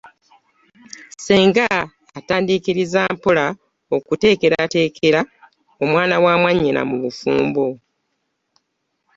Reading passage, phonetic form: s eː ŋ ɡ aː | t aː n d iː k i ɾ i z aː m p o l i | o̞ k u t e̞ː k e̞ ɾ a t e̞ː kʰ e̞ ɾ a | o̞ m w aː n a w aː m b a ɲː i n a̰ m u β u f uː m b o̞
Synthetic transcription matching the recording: s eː ŋ ɡ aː | t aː n d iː k i ɾ i z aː m p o l a | o̞ k u t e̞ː k e̞ ɾ a t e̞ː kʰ e̞ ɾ a | o̞ m w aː n a w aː m w a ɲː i n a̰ m u β u f uː m b o̞